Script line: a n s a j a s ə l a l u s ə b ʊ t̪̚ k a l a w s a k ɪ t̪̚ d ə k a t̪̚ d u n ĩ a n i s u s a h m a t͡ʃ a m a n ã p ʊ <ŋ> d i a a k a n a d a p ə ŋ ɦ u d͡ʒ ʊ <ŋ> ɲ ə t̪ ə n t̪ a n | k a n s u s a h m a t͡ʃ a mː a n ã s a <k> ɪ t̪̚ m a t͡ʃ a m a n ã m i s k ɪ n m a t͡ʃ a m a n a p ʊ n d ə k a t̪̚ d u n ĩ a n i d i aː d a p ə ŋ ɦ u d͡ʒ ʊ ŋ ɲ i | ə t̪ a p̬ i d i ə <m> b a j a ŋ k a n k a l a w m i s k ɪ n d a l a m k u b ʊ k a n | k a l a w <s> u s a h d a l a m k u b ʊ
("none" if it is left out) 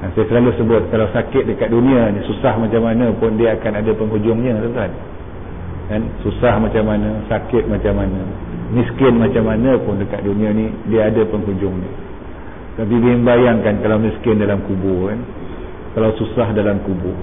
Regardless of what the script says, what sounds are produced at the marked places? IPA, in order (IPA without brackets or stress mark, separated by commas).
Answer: n, ŋ, k, m, s